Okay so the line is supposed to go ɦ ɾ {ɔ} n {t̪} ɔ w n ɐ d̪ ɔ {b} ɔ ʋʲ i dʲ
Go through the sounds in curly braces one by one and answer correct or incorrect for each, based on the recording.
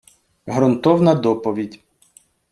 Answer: correct, correct, incorrect: p

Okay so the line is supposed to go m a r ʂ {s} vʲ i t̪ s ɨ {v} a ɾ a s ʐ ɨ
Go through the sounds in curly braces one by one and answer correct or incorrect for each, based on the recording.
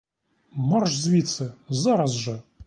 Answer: incorrect: z, incorrect: z

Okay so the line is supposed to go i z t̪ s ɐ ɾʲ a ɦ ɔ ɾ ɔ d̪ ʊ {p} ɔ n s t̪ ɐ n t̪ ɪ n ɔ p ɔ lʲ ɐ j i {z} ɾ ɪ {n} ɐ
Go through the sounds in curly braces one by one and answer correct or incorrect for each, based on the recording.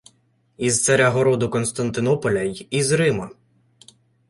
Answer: incorrect: k, correct, incorrect: m

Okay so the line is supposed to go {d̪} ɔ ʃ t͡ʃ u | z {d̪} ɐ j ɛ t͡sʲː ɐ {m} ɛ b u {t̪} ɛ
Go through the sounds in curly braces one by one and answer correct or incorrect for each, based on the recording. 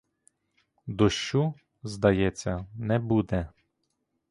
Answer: correct, correct, incorrect: n, incorrect: d̪

